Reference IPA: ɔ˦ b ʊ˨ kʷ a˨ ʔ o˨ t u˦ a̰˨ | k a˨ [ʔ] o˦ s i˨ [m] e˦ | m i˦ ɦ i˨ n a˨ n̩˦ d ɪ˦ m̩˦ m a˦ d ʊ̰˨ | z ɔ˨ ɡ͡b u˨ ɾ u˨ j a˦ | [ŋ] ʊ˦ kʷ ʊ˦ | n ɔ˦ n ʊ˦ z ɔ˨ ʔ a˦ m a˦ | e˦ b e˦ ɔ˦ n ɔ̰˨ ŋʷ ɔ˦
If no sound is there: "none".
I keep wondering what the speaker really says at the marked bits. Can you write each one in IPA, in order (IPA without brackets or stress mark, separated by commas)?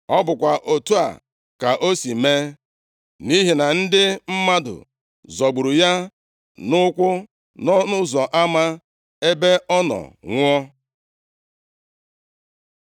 ʔ, m, n